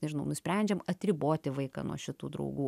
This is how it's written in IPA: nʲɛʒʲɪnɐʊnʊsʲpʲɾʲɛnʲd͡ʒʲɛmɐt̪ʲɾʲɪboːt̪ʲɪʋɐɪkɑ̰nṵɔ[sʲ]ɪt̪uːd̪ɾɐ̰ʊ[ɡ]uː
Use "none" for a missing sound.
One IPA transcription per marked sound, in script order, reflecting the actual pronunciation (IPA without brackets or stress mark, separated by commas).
ʃʲ, ɡ